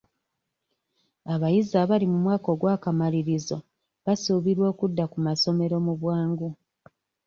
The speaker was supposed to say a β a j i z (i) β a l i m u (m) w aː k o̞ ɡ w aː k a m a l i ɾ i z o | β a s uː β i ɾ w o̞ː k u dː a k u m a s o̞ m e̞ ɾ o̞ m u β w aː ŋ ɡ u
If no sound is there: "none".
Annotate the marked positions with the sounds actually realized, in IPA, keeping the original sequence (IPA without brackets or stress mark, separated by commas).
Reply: a, m